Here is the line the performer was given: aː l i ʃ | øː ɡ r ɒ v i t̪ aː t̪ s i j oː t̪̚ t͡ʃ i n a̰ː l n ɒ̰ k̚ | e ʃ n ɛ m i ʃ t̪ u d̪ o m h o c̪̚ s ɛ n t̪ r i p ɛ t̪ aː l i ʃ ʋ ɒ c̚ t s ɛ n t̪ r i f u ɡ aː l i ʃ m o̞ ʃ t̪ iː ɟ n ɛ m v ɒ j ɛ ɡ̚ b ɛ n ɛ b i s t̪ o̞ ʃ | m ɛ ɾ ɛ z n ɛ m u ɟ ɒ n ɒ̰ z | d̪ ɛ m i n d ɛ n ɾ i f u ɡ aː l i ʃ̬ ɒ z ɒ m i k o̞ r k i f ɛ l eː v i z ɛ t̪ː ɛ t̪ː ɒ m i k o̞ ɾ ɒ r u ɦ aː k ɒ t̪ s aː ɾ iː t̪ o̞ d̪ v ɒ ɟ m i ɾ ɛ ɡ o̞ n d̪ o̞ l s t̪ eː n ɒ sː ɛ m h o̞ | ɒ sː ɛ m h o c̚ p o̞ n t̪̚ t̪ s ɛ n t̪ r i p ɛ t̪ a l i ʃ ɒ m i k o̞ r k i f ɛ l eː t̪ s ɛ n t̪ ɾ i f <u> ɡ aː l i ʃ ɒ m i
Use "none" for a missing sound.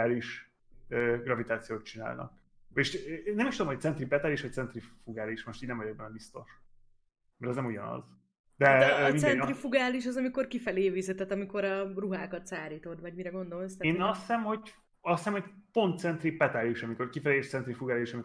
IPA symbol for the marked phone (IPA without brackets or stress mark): u